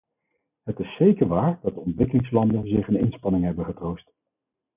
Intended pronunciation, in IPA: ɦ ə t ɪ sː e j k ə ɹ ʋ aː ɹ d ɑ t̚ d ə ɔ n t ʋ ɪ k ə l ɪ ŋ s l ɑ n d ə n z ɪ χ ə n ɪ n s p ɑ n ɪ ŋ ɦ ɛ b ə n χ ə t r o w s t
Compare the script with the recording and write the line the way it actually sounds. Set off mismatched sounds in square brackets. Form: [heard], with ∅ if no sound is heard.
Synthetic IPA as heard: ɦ ə t ɪ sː e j k ə ɹ ʋ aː ɹ d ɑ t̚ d ə ɔ n t ʋ ɪ k ə l ɪ ŋ s l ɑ n d ə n z ɪ χ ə n ɪ n s p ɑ n ɪ ŋ ɦ ɛ b ə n χ ə t r o w s t